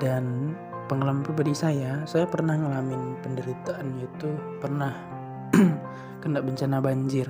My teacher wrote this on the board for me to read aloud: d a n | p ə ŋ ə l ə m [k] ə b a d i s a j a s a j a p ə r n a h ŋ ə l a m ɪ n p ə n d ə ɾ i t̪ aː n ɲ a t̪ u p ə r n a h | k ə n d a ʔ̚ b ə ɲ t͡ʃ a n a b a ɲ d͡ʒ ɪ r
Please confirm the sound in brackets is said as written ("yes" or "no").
no